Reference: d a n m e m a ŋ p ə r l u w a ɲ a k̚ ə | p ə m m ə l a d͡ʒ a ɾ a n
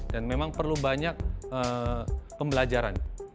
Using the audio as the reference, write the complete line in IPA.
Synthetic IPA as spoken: d a n m e m a ŋ p ə r l u b a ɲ a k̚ ə | p ə m b ə l a d͡ʒ a ɾ a n